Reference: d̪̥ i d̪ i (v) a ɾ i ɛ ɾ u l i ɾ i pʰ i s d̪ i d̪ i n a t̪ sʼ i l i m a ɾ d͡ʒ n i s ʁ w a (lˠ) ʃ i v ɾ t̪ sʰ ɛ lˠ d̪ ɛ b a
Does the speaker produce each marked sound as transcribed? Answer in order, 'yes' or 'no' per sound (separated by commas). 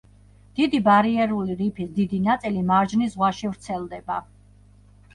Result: no, no